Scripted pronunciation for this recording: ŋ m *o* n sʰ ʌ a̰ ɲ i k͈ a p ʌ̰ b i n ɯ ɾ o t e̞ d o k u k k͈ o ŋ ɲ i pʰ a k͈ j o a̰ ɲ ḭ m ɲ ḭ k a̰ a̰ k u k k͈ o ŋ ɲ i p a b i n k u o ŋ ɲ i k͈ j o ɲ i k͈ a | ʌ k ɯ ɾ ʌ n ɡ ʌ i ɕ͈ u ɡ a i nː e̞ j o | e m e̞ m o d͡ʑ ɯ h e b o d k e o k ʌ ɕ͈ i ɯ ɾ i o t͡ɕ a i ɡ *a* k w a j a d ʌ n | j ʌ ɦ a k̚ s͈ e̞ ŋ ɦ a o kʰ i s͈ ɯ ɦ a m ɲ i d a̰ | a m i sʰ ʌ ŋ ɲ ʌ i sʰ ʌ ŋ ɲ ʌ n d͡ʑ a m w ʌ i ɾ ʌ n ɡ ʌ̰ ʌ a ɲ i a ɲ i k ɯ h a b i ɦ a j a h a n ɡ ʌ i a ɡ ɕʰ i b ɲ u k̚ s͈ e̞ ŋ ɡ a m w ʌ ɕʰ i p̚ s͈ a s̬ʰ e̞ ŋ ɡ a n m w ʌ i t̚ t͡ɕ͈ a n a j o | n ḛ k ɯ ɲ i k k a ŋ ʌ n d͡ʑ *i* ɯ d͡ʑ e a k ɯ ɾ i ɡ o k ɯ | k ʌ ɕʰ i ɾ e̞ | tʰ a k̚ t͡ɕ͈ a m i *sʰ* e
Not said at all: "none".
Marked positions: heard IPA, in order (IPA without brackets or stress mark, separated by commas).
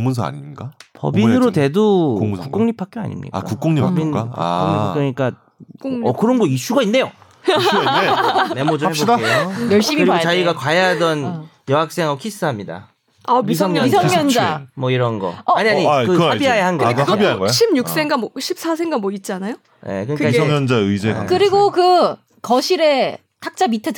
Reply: u, a, a, tʰ